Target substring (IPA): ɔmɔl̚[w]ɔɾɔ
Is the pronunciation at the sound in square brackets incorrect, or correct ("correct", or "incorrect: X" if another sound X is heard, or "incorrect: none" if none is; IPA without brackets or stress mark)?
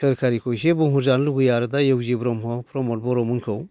incorrect: b